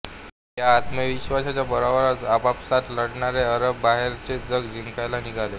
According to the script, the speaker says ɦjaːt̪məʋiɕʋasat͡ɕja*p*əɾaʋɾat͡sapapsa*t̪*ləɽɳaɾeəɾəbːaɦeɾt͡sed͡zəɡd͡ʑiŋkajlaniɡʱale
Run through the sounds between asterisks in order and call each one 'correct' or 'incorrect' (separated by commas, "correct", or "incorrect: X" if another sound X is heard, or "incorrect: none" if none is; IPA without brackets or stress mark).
incorrect: b, correct